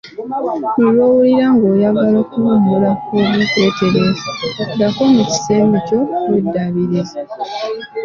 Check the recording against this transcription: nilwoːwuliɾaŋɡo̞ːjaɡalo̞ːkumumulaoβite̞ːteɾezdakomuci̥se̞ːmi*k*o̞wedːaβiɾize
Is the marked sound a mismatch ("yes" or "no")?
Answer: yes